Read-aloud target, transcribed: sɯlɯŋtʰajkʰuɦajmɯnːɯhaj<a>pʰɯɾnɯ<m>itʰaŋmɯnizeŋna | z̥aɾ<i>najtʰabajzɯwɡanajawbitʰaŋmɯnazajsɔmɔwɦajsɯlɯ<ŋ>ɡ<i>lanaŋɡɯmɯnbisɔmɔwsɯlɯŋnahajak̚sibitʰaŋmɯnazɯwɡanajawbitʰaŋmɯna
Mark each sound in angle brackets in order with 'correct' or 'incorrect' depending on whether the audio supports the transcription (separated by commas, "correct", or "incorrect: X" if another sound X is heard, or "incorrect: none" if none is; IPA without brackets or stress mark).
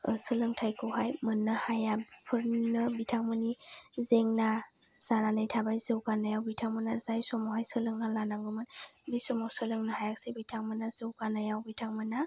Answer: correct, incorrect: b, incorrect: a, correct, incorrect: a